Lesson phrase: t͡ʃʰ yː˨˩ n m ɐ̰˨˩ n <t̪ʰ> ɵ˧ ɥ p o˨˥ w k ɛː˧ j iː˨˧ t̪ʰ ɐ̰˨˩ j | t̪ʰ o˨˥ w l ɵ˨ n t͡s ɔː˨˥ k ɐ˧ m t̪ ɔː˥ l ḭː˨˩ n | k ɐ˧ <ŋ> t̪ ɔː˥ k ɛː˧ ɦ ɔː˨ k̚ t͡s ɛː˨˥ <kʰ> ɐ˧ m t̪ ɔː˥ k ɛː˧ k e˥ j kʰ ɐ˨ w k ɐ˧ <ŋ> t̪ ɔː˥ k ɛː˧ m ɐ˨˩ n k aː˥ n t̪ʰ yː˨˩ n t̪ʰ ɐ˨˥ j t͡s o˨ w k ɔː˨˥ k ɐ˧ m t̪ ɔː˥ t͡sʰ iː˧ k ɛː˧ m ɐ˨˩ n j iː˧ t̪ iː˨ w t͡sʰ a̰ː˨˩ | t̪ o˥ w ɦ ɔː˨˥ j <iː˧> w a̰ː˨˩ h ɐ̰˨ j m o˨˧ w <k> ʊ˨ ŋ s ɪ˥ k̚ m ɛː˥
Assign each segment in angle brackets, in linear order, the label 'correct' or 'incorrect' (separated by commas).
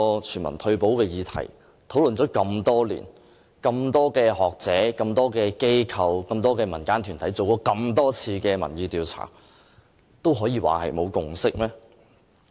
correct, incorrect, incorrect, incorrect, correct, correct